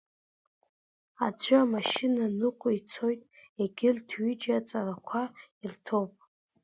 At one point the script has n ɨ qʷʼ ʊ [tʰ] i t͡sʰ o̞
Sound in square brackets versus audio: incorrect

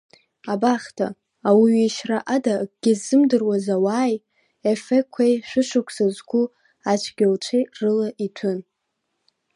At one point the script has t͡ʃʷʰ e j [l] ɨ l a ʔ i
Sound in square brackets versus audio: incorrect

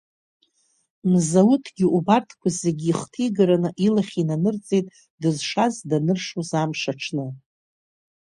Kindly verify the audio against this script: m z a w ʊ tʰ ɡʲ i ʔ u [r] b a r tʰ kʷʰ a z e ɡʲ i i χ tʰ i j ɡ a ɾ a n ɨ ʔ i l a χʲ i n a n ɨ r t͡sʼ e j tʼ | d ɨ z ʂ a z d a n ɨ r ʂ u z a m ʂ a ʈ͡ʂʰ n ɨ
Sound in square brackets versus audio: incorrect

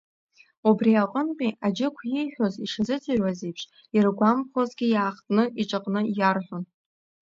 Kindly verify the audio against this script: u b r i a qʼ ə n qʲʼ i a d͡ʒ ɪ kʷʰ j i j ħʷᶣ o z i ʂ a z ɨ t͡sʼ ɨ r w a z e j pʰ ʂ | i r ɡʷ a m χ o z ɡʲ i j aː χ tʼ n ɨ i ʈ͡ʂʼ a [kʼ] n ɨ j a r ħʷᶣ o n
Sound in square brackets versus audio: incorrect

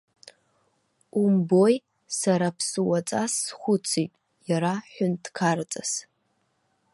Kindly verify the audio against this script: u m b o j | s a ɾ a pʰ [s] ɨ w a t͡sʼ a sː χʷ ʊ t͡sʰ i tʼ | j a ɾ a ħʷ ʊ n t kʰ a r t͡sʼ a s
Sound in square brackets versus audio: correct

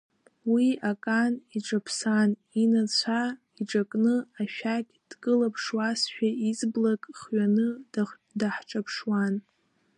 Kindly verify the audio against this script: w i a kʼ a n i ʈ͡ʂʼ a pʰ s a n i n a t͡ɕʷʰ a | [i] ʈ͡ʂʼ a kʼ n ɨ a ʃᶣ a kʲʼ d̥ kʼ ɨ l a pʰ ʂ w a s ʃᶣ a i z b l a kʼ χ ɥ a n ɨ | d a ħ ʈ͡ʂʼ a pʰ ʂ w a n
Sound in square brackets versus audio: correct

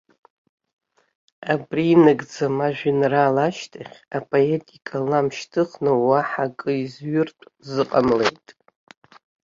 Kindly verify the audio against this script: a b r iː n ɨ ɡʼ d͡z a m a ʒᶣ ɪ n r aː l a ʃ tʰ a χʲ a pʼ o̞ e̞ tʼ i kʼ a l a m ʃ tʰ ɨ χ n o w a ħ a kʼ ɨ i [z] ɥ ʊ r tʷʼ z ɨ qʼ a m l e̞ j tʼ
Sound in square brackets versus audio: correct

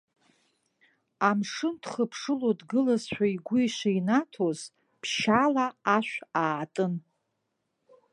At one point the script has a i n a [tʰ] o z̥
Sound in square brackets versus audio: correct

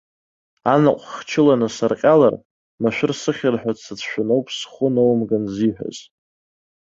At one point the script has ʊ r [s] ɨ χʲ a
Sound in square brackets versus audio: correct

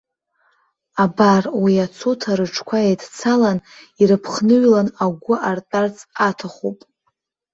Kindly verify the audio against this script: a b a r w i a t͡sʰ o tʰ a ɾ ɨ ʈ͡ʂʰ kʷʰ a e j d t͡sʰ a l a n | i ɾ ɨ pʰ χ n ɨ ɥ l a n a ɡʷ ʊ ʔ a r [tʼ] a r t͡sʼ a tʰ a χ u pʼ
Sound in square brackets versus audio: correct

